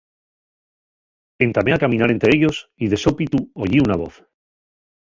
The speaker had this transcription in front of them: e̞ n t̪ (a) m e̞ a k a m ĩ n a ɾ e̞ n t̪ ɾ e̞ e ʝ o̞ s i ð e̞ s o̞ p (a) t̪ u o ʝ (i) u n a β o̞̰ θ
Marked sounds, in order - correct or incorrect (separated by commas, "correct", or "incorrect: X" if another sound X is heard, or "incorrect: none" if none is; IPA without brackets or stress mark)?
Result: correct, incorrect: i, correct